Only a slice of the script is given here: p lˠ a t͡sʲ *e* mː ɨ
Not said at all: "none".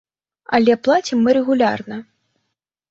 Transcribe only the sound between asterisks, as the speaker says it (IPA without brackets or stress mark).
i